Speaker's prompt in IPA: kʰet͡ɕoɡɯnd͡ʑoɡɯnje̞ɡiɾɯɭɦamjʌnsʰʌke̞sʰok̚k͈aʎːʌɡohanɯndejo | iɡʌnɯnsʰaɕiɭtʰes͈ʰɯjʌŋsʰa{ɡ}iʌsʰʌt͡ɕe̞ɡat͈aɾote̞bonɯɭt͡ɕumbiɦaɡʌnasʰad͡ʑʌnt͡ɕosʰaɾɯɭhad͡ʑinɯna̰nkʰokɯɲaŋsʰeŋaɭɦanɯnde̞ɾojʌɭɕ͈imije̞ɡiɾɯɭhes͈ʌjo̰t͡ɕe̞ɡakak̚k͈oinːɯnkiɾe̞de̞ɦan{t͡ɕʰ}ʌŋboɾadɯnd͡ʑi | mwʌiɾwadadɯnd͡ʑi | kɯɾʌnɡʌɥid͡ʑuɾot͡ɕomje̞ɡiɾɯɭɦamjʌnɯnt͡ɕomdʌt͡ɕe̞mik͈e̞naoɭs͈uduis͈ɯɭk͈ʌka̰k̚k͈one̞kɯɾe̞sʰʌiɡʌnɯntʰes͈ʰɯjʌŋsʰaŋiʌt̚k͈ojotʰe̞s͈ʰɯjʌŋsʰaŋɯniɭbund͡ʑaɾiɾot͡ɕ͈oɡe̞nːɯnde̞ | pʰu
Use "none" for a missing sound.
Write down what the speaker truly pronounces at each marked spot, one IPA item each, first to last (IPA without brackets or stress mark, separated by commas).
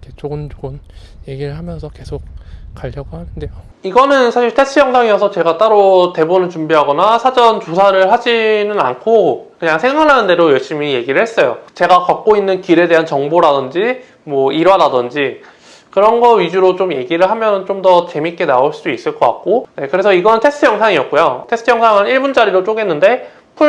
ŋ, t͡ɕ